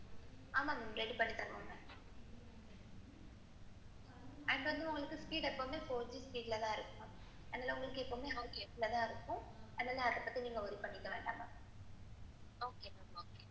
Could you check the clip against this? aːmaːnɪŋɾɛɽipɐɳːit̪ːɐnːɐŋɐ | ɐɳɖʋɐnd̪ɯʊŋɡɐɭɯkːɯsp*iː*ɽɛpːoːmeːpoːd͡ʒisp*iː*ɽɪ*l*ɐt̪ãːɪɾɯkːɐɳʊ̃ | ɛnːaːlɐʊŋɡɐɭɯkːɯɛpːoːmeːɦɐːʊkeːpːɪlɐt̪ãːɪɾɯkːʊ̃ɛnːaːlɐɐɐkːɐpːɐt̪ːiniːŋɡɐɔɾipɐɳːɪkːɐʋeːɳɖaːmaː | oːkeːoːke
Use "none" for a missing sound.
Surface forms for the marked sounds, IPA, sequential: iː, iː, l

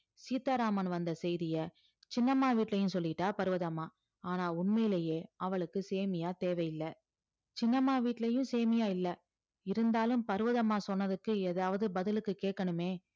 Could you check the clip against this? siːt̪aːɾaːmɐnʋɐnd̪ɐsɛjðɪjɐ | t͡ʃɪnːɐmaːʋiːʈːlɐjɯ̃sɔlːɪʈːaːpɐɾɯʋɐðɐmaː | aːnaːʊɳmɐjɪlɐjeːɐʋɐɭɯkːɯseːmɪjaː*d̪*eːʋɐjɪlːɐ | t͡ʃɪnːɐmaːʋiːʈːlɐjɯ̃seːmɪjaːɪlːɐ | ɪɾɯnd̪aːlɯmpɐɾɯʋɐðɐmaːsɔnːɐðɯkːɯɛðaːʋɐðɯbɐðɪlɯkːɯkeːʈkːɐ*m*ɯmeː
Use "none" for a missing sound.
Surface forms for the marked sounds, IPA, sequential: t̪, ɳ

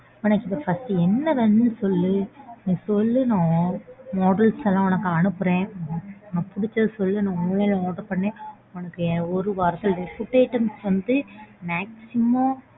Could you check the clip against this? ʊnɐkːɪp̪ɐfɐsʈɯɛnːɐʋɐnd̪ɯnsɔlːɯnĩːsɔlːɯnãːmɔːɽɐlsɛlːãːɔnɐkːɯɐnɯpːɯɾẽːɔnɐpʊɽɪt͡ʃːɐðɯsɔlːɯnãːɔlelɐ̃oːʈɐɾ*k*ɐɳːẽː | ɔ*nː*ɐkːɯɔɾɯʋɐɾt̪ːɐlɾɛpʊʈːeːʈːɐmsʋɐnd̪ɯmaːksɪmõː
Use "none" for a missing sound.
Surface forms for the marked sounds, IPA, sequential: p, n

